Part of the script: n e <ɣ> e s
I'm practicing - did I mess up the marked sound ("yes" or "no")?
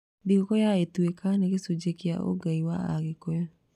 no